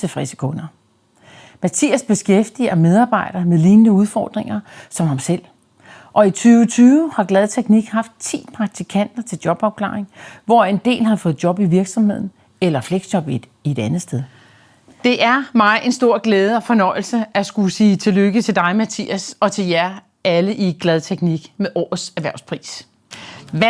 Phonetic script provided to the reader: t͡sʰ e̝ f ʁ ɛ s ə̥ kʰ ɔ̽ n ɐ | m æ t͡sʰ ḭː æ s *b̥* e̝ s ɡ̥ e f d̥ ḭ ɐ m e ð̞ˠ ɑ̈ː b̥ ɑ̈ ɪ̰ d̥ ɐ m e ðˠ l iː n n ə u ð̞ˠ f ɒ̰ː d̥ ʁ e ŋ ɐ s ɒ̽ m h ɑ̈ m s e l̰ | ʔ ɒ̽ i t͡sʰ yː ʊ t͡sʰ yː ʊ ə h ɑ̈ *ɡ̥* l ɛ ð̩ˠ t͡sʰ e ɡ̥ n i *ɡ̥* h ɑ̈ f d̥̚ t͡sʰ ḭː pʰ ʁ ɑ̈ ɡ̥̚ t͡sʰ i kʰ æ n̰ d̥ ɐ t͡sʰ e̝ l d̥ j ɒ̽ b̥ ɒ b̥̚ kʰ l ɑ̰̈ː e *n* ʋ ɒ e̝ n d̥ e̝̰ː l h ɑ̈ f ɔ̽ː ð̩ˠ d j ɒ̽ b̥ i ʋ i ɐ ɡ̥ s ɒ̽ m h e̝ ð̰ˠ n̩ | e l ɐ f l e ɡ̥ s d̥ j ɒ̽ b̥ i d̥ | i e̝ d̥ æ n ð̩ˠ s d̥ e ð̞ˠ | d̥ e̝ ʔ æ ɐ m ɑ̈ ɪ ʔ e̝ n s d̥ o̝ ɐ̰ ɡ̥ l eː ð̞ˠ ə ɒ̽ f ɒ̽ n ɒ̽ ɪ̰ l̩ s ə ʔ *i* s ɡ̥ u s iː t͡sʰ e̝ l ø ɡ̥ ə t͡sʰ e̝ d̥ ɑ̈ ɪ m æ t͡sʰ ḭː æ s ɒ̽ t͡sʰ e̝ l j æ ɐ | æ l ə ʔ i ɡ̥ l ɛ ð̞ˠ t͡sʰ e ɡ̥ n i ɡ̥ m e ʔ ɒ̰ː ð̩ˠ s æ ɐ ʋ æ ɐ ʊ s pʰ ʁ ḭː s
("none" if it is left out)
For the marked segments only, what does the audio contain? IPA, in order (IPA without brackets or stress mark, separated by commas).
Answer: b̥, ɡ̥, ɡ̥, ŋ, æ